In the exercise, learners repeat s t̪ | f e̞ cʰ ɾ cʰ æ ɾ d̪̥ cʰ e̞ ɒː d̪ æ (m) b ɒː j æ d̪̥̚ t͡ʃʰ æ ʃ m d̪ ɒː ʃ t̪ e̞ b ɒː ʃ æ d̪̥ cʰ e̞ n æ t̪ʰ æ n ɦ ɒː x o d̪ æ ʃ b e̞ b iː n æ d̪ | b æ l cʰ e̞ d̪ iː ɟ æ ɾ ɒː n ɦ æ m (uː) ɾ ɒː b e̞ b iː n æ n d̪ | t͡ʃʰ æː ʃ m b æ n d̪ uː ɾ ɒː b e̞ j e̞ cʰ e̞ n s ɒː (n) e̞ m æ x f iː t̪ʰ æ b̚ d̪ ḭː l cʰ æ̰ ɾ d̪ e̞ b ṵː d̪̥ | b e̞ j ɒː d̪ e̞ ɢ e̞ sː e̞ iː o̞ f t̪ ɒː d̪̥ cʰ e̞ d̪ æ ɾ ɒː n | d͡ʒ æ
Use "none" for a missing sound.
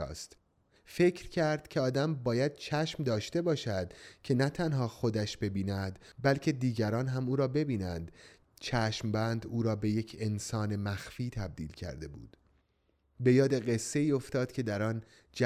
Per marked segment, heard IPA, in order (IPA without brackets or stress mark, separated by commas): m, uː, n